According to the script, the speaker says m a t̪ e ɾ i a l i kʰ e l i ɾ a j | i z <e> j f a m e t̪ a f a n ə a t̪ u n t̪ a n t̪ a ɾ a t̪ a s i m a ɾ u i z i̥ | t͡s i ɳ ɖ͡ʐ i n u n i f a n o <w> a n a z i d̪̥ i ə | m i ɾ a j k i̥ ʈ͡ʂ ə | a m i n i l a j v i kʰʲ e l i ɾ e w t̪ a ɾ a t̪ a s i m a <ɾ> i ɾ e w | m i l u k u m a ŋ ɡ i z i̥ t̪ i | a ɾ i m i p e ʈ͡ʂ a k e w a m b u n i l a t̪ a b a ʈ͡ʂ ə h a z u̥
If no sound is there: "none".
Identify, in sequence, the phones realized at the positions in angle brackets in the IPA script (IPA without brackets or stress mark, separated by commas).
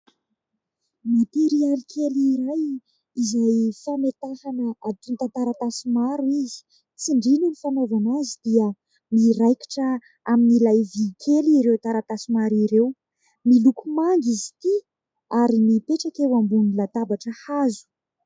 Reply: a, v, ɾ